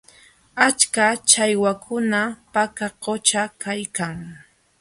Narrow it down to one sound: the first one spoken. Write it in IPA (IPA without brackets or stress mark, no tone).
a